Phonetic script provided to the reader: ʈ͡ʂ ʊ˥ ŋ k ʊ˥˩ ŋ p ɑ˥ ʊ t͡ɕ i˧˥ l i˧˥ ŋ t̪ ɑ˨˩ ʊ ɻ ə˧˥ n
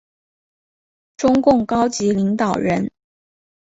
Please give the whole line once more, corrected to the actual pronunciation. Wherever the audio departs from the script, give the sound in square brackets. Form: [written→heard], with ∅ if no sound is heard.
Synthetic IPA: ʈ͡ʂ ʊ˥ ŋ k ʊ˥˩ ŋ [p→k] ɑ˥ ʊ t͡ɕ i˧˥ l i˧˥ ŋ t̪ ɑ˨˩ ʊ ɻ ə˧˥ n

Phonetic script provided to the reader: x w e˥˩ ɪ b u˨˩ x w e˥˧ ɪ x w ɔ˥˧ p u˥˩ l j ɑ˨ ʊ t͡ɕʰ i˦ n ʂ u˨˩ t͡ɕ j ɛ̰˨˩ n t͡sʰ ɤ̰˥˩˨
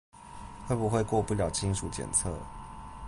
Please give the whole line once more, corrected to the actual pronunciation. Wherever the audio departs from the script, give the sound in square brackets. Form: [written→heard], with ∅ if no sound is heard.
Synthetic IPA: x w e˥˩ ɪ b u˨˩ x w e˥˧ ɪ [x→k] w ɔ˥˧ p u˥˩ l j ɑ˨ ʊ t͡ɕʰ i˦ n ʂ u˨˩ t͡ɕ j ɛ̰˨˩ n t͡sʰ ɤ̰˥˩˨

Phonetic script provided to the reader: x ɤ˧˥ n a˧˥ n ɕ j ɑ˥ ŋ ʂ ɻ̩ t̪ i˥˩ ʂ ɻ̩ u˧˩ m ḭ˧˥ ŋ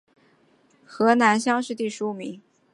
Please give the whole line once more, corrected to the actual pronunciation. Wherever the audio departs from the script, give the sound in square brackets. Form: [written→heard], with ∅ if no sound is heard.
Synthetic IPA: x ɤ˧˥ n a˧˥ n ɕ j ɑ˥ ŋ ʂ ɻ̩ t̪ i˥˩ ʂ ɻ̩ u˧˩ m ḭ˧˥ ŋ

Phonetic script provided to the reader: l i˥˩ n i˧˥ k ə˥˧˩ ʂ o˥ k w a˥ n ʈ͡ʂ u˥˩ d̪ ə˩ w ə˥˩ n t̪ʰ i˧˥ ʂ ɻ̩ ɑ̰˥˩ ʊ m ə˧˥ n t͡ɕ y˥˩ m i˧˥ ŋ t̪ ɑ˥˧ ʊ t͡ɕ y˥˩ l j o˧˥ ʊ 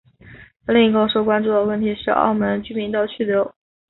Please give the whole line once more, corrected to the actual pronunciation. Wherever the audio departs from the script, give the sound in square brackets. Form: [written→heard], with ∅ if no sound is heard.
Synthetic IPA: l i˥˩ [n→ŋ] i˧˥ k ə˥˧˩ ʂ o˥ k w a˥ n ʈ͡ʂ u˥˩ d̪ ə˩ w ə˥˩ n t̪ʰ i˧˥ ʂ ɻ̩ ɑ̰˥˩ ʊ m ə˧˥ n t͡ɕ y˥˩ m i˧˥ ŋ t̪ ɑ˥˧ ʊ [t͡ɕ→t͡ɕʰ] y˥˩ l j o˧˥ ʊ

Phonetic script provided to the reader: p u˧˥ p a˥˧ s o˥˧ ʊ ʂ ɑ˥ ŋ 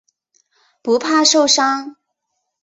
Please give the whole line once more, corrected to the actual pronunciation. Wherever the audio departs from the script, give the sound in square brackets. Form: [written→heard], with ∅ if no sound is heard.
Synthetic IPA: p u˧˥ [p→pʰ] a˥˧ [s→ʂ] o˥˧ ʊ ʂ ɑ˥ ŋ

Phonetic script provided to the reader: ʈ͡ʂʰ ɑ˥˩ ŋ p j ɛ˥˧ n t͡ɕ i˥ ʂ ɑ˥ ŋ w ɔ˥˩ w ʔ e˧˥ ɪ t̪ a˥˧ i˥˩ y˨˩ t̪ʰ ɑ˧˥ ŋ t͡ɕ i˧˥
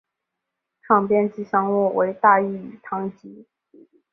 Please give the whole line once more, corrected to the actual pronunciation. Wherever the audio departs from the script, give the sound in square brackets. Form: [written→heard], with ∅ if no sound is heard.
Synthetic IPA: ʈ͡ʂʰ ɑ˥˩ ŋ p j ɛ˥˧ n t͡ɕ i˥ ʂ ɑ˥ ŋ w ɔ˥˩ w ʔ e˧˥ ɪ t̪ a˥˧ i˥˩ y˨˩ t̪ʰ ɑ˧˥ ŋ t͡ɕ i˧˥

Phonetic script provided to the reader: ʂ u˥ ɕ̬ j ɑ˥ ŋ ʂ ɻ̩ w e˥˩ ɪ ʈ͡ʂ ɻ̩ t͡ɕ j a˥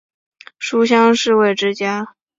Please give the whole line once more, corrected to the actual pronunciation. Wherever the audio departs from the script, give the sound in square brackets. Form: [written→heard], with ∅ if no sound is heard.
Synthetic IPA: ʂ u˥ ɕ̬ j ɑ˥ ŋ ʂ ɻ̩ w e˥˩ ɪ ʈ͡ʂ ɻ̩ t͡ɕ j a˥

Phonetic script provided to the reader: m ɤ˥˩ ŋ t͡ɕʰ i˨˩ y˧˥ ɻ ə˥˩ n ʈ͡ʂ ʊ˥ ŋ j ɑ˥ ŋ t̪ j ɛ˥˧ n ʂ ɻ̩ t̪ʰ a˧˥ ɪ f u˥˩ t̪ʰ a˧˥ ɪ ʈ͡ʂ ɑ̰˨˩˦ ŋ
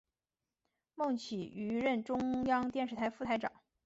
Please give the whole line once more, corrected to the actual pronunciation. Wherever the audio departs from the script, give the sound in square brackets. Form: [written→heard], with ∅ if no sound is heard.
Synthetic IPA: m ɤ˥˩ ŋ t͡ɕʰ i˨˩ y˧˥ ɻ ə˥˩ n ʈ͡ʂ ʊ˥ ŋ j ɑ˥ ŋ t̪ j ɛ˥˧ n ʂ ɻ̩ t̪ʰ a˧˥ ɪ f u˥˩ t̪ʰ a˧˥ ɪ ʈ͡ʂ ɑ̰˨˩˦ ŋ

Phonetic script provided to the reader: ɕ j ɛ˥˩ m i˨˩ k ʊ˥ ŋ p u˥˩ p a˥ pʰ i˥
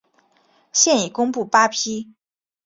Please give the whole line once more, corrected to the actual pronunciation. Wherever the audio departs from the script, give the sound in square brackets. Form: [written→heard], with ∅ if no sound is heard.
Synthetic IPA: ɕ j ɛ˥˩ [m→n] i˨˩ k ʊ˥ ŋ p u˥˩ p a˥ pʰ i˥

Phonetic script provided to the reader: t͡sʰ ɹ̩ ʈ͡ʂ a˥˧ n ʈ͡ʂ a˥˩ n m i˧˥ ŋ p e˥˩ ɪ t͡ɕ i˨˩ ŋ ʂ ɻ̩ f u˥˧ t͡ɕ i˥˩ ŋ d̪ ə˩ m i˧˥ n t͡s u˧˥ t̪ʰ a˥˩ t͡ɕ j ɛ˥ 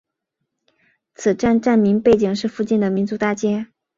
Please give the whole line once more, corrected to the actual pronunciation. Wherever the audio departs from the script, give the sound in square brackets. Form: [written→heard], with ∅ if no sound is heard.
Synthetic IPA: t͡sʰ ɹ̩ ʈ͡ʂ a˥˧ n ʈ͡ʂ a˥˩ n m i˧˥ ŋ p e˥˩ ɪ t͡ɕ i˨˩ ŋ ʂ ɻ̩ f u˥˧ t͡ɕ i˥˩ [ŋ→n] d̪ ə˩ m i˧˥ n t͡s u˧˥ [t̪ʰ→t̪] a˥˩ t͡ɕ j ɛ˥

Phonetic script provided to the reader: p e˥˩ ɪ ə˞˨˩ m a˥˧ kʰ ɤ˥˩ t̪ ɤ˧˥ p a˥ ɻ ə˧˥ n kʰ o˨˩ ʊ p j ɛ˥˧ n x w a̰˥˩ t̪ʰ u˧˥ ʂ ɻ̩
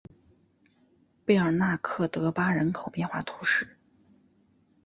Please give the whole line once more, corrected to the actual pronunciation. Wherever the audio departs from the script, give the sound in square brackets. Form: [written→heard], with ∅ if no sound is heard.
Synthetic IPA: p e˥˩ ɪ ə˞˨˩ [m→n] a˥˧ kʰ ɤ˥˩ t̪ ɤ˧˥ p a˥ ɻ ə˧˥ n kʰ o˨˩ ʊ p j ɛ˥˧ n x w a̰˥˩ t̪ʰ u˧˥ ʂ ɻ̩

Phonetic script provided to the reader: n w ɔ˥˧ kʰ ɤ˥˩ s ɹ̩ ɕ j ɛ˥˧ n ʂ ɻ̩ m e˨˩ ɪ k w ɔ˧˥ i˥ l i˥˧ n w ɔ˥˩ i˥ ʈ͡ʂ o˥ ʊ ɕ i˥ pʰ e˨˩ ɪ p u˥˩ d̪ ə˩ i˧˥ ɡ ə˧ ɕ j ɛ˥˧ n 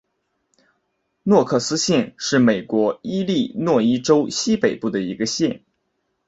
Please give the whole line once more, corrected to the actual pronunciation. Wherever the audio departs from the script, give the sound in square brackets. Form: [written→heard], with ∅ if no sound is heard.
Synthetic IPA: n w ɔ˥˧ kʰ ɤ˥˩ s ɹ̩ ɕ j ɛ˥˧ n ʂ ɻ̩ m e˨˩ ɪ k w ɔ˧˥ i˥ l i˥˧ n w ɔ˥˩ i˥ ʈ͡ʂ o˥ ʊ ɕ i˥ [pʰ→p] e˨˩ ɪ p u˥˩ d̪ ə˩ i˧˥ ɡ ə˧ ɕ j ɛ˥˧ n

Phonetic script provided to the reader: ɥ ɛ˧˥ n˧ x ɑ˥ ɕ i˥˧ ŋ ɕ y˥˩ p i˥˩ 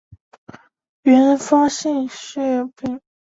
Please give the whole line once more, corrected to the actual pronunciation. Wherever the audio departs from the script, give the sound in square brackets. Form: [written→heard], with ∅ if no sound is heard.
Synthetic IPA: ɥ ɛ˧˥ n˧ [x→f] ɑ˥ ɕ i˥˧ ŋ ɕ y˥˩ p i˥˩

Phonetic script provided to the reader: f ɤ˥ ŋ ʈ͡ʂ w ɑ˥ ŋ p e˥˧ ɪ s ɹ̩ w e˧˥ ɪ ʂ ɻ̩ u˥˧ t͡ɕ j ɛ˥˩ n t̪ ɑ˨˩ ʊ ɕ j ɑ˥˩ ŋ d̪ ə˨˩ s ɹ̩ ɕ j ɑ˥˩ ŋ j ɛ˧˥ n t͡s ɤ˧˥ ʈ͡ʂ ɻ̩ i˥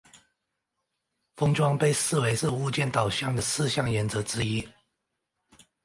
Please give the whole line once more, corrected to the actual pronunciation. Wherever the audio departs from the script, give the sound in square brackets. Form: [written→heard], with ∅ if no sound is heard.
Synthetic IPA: f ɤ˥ ŋ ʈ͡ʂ w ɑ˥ ŋ p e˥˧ ɪ s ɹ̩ w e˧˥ ɪ ʂ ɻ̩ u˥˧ t͡ɕ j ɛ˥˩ n t̪ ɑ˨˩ ʊ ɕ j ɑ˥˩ ŋ d̪ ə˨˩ s ɹ̩ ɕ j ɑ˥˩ ŋ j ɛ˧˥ n t͡s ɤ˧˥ ʈ͡ʂ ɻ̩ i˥

